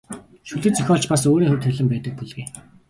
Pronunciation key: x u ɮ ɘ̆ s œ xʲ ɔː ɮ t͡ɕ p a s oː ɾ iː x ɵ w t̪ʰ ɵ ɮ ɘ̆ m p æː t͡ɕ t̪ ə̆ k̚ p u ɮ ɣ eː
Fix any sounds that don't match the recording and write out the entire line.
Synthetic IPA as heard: ʃ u ɮ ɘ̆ t͡s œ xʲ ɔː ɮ t͡ɕ p a s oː ɾ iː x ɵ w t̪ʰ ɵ ɮ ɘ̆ m p æː t̪ ə̆ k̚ p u ɮ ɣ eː